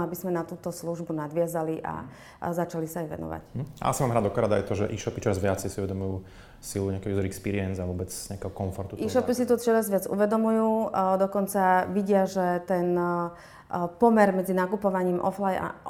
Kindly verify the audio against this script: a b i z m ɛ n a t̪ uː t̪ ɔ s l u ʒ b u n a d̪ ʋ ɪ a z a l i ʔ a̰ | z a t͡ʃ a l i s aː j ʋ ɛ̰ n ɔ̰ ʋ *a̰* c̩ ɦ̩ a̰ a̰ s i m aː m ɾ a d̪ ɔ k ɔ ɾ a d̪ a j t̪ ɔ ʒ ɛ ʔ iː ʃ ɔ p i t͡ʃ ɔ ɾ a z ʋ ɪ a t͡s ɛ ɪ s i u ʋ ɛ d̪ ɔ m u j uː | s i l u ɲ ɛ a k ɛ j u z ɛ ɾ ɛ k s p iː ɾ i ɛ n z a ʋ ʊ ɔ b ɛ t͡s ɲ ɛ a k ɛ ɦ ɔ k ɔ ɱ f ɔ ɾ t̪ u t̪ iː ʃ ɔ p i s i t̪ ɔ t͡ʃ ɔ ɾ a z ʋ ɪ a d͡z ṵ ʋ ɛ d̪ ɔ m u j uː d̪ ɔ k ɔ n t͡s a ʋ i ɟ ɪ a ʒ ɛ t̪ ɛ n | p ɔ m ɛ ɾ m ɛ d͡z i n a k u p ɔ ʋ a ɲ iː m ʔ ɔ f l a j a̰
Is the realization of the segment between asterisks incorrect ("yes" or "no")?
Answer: no